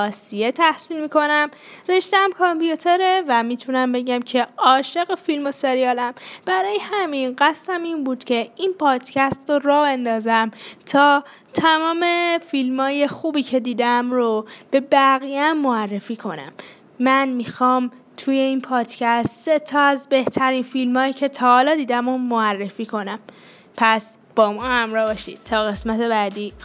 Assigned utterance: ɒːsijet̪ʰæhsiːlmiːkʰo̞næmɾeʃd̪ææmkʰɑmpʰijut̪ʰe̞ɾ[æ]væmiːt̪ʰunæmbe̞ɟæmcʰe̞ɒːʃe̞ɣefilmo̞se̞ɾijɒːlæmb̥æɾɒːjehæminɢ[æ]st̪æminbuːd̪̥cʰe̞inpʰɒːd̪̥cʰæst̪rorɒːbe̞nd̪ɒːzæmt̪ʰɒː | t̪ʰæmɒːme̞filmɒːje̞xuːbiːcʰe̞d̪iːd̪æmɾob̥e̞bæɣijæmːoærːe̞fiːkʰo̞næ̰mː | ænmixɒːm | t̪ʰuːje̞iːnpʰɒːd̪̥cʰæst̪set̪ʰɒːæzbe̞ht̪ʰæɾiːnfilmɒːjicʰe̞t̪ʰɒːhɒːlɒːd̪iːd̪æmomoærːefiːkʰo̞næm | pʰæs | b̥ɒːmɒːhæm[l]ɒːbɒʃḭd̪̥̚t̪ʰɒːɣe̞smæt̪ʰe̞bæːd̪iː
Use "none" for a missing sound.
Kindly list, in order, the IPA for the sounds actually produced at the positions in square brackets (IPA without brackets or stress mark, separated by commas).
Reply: e, æ, ɾ